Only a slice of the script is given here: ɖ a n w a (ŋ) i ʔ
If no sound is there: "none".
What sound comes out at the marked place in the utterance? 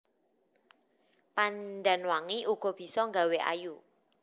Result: ŋ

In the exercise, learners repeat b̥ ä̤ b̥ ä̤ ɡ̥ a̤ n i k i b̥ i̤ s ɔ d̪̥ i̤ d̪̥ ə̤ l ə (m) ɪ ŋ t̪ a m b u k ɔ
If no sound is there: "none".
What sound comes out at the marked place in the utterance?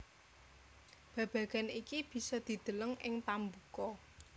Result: ŋ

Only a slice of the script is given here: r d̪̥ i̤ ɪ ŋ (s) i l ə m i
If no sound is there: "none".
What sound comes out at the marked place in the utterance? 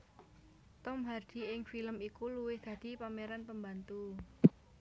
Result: f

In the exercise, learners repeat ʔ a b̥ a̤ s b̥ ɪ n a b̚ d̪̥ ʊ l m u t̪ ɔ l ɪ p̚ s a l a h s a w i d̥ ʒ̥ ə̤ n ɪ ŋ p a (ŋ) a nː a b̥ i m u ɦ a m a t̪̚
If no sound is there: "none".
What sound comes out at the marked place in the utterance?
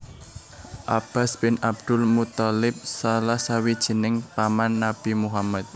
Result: m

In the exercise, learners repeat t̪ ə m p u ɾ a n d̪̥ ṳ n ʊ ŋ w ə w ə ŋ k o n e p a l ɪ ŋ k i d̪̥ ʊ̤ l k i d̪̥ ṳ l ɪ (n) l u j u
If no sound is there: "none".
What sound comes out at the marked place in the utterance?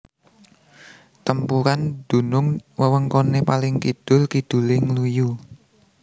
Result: ŋ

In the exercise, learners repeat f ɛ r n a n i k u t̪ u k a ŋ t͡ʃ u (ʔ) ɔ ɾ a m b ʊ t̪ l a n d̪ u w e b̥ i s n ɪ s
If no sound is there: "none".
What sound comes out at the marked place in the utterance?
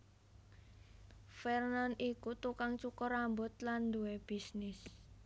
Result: k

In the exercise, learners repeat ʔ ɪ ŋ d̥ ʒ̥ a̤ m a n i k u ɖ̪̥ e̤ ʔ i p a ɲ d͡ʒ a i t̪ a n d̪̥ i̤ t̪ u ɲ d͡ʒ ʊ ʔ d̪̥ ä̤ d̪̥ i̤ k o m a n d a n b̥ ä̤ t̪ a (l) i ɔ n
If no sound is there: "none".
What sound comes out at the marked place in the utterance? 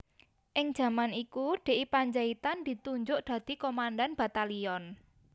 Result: l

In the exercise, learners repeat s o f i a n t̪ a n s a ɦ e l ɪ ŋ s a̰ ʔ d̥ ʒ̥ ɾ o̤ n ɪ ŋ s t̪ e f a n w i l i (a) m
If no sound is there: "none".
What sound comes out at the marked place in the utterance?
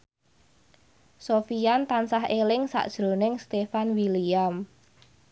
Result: a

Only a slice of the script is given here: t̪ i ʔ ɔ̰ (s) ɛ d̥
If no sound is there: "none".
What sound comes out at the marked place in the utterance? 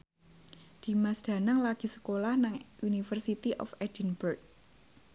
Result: f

